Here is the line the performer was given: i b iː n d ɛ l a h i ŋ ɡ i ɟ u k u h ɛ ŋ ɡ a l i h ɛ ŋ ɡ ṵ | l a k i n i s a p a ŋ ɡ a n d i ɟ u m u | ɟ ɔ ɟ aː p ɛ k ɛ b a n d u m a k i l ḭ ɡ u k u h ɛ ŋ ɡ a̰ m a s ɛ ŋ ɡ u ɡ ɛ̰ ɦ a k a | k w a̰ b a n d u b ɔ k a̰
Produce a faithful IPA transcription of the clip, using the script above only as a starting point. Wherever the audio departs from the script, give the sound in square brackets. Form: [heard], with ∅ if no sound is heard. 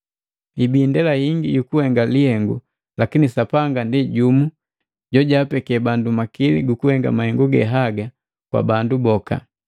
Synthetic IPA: i b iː n d ɛ l a h i ŋ ɡ i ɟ u k u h ɛ ŋ ɡ a l i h ɛ ŋ ɡ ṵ | l a k i n i s a p a ŋ ɡ a n d i ɟ u m u | ɟ ɔ ɟ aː p ɛ k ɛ b a n d u m a k i l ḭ ɡ u k u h ɛ ŋ ɡ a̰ m a [h] ɛ ŋ ɡ u ɡ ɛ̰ ɦ a [ɡ] a | k w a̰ b a n d u b ɔ k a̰

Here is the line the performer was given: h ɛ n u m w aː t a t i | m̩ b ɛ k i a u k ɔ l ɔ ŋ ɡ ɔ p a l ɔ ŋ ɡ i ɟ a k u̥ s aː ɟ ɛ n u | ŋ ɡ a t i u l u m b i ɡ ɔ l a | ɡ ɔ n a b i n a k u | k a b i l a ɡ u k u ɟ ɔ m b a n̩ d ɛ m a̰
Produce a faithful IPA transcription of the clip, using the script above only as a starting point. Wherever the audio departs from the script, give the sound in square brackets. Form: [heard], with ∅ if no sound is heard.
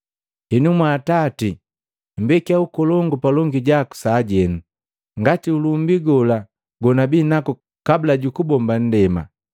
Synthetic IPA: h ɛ n u m w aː t a t i | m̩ b ɛ k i a u k ɔ l ɔ ŋ ɡ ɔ p a l ɔ ŋ ɡ i ɟ a k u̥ s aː ɟ ɛ n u | ŋ ɡ a t i u l u m b i ɡ ɔ l a | ɡ ɔ n a b i n a k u | k a b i l a [ɟ] u k u [b] ɔ m b a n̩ d ɛ m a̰

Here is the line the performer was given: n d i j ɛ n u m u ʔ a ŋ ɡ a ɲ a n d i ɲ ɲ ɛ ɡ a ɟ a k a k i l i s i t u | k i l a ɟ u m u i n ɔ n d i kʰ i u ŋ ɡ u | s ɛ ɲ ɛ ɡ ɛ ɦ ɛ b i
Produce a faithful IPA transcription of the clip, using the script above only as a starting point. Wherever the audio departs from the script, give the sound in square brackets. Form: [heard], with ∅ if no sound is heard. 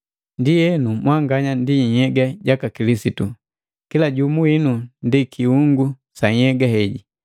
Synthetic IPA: n d i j ɛ n u m [w] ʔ a ŋ ɡ a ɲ a n d i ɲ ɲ ɛ ɡ a ɟ a k a k i l i s i t u | k i l a ɟ u m u i n [u] n d i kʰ i u ŋ ɡ u | s [a] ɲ ɛ ɡ [a] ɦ ɛ [ɟ] i

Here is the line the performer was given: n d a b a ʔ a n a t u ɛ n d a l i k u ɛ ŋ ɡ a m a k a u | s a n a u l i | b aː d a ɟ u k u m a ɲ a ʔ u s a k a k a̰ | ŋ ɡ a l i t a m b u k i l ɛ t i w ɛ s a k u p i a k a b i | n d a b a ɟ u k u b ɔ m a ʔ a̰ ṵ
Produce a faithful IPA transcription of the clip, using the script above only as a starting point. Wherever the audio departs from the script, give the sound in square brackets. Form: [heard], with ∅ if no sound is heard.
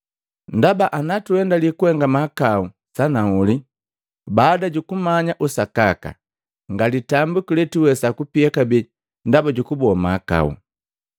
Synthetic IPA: n d a b a ʔ a n a t u ɛ n d a l i k u ɛ ŋ ɡ a m a k a u | s a n a u l i | b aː d a ɟ u k u m a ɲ a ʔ u s a k a k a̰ | ŋ ɡ a l i t a m b u k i l ɛ t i w ɛ s a k u p i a k a b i | n d a b a ɟ u k u b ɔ m a [k] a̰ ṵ

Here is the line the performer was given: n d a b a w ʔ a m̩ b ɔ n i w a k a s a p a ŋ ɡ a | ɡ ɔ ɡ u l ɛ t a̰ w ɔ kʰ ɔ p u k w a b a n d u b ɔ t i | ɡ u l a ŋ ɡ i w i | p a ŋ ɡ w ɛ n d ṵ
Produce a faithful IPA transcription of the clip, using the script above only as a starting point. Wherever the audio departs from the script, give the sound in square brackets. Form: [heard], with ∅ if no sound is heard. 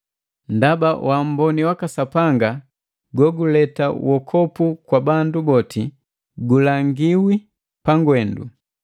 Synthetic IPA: n d a b a w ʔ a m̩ b ɔ n i w a k a s a p a ŋ ɡ a | ɡ ɔ ɡ u l ɛ t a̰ w ɔ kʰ ɔ p u k w a b a n d u b ɔ t i | ɡ u l a ŋ ɡ i w i | p a ŋ ɡ w ɛ n d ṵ

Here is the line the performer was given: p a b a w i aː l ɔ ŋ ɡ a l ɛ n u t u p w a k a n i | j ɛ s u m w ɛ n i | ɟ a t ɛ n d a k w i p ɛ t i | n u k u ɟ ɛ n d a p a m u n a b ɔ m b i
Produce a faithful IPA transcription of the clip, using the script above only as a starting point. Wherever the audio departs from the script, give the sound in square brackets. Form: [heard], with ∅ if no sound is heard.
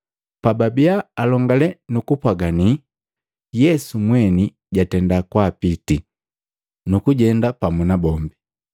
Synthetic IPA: p a b a [b] i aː l ɔ ŋ ɡ a l ɛ n u [k] u p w a [ɡ] a n i | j ɛ s u m w ɛ n i | ɟ a t ɛ n d a k w [a] p [i] t i | n u k u ɟ ɛ n d a p a m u n a b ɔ m b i

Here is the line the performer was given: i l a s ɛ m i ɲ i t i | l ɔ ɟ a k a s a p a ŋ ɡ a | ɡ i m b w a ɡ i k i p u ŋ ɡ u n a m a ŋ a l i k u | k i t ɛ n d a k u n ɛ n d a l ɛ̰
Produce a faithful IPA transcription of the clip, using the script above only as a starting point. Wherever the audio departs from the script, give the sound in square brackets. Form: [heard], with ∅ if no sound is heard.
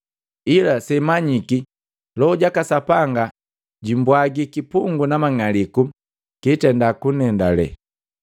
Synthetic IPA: i l a s ɛ m [a] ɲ i [k] i | l ɔ ɟ a k a s a p a ŋ ɡ a | [ɟ] i m b w a ɡ i k i p u ŋ ɡ u n a m a ŋ a l i k u | k i t ɛ n d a k u n ɛ n d a l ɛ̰

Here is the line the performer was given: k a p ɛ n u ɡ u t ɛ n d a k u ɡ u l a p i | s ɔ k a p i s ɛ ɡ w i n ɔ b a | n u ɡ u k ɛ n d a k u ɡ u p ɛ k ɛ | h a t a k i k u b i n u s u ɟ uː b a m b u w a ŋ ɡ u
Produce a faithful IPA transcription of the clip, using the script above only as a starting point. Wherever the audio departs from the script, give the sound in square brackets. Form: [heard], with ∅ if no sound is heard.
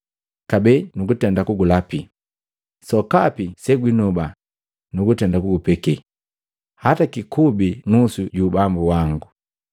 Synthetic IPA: k a [b] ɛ n u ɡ u t ɛ n d a k u ɡ u l a p i | s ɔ k a p i s ɛ ɡ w i n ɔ b a | n u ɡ u [t] ɛ n d a k u ɡ u p ɛ k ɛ | h a t a k i k u b i n u s u ɟ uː b a m b u w a ŋ ɡ u

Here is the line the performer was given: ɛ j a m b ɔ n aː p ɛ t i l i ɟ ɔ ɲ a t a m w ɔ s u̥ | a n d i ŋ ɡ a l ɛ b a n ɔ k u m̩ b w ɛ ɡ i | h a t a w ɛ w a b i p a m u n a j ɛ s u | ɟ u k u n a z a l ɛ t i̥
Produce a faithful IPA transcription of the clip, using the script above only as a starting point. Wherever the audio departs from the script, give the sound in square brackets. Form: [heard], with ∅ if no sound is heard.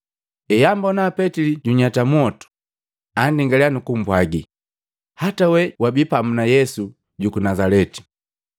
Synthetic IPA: ɛ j a m b ɔ n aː p ɛ t i l i ɟ [u] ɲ a t a m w ɔ [t] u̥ | a n d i ŋ ɡ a l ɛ [∅] a n [u] k u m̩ b w [a] ɡ i | h a t a w ɛ w a b i p a m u n a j ɛ s u | ɟ u k u n a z a l ɛ t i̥

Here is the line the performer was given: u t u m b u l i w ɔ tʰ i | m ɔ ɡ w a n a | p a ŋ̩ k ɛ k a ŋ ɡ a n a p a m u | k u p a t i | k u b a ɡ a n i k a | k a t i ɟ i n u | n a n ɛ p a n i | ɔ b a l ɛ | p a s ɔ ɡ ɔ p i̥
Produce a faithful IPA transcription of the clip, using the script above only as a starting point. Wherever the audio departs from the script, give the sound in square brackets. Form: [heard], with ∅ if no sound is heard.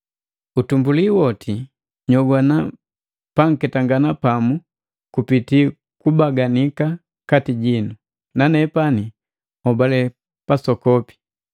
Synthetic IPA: u t u m b u l i w ɔ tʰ i | [ɲ] ɔ ɡ w a n a | p a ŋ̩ k ɛ [t] a ŋ ɡ a n a p a m u | k u p [i] t i | k u b a ɡ a n i k a | k a t i ɟ i n u | n a n ɛ p a n i | ɔ b a l ɛ | p a s ɔ [k] ɔ p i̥

